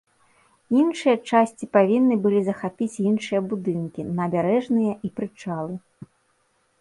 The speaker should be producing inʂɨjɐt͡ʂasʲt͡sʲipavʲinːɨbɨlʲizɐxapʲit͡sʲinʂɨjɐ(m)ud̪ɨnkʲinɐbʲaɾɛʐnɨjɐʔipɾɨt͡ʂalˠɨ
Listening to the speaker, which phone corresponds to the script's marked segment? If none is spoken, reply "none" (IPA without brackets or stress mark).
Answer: b